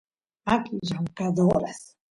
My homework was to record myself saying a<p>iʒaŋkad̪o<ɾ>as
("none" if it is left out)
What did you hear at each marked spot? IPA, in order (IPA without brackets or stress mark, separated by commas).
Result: k, ɾ